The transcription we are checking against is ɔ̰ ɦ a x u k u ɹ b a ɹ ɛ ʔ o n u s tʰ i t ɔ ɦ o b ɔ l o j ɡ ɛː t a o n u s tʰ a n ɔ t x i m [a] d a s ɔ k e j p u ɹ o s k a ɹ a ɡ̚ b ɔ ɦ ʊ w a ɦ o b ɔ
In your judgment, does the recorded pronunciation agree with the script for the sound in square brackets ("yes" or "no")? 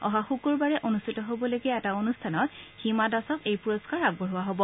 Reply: yes